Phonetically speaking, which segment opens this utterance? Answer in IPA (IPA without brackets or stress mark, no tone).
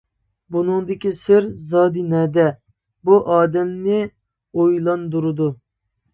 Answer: b